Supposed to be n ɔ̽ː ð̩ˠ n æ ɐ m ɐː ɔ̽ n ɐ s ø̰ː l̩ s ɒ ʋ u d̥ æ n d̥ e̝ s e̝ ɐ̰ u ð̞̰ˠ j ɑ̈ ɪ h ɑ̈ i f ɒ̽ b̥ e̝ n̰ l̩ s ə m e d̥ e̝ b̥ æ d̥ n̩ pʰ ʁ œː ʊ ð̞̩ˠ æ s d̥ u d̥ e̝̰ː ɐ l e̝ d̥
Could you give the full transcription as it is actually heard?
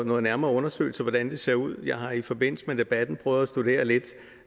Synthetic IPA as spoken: n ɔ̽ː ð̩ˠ n æ ɐ m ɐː ɔ̽ n ɐ s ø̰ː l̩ s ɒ ʋ ɒ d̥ æ n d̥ e̝ s e̝ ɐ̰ u ð̞̰ˠ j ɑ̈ ɪ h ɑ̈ i f ɒ̽ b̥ e̝ n̰ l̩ s ə m e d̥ e̝ b̥ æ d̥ n̩ pʰ ʁ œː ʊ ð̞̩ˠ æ s d̥ u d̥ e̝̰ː ɐ l e̝ d̥

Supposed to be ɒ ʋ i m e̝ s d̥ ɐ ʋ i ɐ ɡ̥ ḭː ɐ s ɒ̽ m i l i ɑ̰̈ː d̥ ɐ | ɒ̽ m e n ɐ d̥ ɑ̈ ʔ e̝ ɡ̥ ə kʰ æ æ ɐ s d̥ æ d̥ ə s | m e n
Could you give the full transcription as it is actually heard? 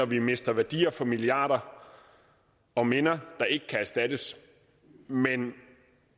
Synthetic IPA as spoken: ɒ ʋ i m e̝ s d̥ ɐ ʋ æ ɐ d̥ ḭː ɐ f ɒ̽ m i l i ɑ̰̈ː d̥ ɐ | ɒ̽ m e n ɐ d̥ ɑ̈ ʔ e̝ ɡ̥ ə kʰ æ æ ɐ s d̥ æ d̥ ə s | m e n

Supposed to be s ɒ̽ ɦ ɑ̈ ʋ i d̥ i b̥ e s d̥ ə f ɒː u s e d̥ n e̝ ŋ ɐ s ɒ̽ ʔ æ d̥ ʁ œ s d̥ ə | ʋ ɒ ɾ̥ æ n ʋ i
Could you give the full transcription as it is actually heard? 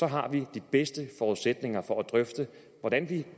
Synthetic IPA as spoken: s ɒ̽ ɦ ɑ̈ ʋ i d̥ i b̥ e s d̥ ə f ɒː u s e d̥ n e̝ ŋ ɐ f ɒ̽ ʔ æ d̥ ʁ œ f d̥ ə | ʋ ɒ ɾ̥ æ n ʋ i

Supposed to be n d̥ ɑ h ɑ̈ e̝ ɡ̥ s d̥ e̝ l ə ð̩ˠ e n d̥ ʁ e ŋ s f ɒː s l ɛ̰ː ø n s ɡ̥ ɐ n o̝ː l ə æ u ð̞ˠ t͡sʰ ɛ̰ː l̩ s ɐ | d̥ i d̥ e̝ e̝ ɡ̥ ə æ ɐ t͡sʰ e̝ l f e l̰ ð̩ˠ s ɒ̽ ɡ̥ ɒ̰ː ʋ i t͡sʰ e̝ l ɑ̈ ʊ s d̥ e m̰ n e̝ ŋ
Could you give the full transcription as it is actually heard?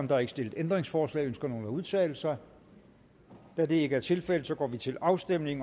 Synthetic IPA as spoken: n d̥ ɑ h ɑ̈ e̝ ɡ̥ s d̥ e̝ l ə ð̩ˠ e n d̥ ʁ e ŋ s f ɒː s l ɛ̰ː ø n s ɡ̥ ɐ n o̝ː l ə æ u ð̞ˠ t͡sʰ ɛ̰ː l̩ s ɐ | d̥ æ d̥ e̝ e̝ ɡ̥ ə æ ɐ t͡sʰ e̝ l f e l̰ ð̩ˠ s ɒ̽ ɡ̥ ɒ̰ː ʋ i t͡sʰ e̝ l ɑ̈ ʊ s d̥ e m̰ n e̝ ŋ

